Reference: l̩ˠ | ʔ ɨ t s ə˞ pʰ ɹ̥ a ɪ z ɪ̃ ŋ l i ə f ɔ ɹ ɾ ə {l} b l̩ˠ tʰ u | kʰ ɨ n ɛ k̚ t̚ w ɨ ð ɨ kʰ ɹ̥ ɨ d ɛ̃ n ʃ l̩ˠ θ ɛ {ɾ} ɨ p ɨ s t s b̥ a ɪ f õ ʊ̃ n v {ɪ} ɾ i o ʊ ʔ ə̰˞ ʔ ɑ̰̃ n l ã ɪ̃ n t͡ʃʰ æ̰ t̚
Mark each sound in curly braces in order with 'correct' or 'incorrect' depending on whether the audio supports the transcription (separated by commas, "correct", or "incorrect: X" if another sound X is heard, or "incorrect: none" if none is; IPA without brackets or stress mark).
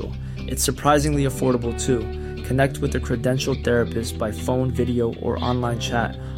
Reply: incorrect: none, incorrect: ɹ, correct